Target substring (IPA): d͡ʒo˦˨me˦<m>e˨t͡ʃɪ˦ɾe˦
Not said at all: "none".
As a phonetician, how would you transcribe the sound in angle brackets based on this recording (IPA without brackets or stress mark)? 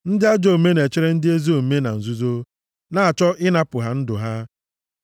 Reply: n